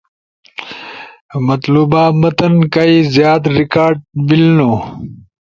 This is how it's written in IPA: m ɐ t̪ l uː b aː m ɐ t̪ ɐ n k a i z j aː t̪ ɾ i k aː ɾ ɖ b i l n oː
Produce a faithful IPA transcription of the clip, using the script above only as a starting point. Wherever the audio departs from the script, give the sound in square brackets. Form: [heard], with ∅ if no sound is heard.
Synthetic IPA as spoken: m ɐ t̪ l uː b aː m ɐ t̪ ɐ n k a i z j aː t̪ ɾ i k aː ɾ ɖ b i l n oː

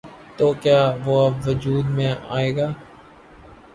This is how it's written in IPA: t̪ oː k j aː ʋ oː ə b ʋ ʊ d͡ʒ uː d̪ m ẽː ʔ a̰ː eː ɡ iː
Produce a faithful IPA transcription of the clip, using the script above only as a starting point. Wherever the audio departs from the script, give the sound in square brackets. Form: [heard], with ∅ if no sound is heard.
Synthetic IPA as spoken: t̪ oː k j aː ʋ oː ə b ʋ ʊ d͡ʒ uː d̪ m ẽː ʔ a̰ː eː ɡ [aː]

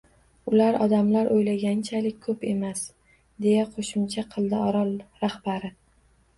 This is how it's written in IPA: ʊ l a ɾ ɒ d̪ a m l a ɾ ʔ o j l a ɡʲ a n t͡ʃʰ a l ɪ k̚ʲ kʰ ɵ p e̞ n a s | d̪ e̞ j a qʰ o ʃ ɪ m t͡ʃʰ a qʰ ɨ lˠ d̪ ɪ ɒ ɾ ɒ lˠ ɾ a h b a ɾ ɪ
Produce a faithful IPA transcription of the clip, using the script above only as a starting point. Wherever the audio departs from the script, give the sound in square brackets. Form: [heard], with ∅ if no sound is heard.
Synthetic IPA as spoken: ʊ l a ɾ ɒ d̪ a m l a ɾ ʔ o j l a ɡʲ a n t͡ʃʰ a l ɪ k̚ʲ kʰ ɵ p e̞ [m] a s | d̪ e̞ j a qʰ o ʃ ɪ m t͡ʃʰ a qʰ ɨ lˠ d̪ ɪ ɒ ɾ ɒ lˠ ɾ a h b a ɾ ɪ

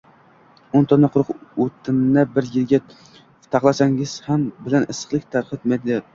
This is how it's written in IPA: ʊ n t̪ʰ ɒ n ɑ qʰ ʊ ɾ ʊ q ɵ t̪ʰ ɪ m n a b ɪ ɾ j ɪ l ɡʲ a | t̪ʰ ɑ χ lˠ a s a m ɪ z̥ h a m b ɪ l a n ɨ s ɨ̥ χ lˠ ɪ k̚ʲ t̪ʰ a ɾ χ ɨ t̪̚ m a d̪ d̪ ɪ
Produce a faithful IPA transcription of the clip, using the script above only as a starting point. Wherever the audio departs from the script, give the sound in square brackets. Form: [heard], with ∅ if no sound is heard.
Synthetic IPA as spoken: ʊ n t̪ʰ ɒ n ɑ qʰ ʊ ɾ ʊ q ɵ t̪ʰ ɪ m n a b ɪ ɾ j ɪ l ɡʲ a | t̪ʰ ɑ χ lˠ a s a [ŋ] ɪ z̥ h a m b ɪ l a n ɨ s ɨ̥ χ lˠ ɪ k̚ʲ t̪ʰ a ɾ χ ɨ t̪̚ m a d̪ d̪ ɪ

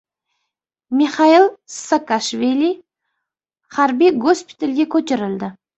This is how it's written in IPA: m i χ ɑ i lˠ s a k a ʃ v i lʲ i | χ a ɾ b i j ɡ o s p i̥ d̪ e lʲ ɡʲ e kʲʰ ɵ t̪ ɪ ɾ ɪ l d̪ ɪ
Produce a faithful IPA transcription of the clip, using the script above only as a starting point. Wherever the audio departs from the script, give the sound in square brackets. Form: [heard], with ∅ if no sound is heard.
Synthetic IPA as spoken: m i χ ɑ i lˠ s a k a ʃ v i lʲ i | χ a ɾ b i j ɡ o s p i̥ [t̪] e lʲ ɡʲ e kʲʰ ɵ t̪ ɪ ɾ ɪ l d̪ ɪ

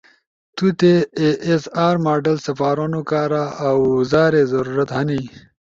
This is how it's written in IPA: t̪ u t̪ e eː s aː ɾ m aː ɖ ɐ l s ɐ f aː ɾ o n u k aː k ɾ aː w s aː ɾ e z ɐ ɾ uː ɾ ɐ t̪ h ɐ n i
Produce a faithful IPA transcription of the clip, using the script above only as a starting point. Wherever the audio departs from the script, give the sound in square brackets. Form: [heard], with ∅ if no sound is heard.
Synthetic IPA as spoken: t̪ u t̪ e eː s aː ɾ m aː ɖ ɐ l s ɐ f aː ɾ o n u k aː [∅] ɾ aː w [z] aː ɾ e z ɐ ɾ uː ɾ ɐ t̪ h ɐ n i

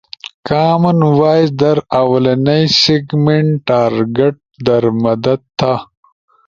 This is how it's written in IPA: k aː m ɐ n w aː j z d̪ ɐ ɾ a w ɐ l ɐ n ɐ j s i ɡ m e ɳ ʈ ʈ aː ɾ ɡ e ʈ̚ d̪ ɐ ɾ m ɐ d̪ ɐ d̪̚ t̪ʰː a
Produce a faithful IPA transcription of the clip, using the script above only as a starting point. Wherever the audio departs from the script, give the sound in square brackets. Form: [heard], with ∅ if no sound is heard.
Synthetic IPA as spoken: k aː m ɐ n w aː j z d̪ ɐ ɾ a w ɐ l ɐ n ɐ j s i ɡ m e ɳ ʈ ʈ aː ɾ ɡ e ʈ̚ d̪ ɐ ɾ m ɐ d̪ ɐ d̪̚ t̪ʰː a

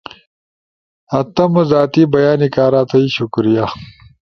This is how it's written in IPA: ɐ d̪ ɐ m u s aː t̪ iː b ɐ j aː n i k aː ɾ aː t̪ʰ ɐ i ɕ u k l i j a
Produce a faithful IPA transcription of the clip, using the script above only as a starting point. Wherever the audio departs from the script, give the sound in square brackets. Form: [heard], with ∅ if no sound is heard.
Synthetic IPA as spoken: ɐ [t̪] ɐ m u [z] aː t̪ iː b ɐ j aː n i k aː ɾ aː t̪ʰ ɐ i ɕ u k [ɾ] i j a

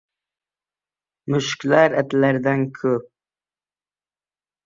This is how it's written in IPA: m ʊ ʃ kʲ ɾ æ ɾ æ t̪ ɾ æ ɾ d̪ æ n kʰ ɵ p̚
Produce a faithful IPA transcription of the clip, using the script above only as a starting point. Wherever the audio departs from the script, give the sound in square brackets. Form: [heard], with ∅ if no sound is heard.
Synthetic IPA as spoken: m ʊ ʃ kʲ [l] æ ɾ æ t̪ [l] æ ɾ d̪ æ n kʰ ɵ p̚

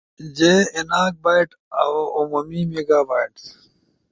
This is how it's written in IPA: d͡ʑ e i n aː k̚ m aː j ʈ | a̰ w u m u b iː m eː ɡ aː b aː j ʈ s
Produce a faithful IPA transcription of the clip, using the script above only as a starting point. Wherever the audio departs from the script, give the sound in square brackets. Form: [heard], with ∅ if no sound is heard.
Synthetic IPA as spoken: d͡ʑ e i n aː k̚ [b] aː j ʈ | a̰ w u m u [m] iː m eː ɡ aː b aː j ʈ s

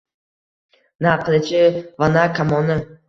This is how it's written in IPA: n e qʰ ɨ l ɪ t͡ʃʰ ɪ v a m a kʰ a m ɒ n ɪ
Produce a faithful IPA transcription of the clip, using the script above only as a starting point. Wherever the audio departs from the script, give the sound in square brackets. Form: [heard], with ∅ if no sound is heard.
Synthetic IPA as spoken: n [a] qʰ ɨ l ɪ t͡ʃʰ ɪ v a [n] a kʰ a m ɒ n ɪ

